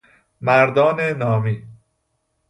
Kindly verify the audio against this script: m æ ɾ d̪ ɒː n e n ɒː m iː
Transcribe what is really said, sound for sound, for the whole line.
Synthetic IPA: m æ ɾ d̪ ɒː n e n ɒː m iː